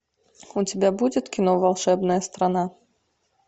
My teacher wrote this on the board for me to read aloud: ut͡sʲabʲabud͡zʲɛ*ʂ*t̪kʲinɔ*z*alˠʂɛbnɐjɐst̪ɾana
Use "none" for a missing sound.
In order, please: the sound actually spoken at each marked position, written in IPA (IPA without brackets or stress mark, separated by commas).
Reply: none, v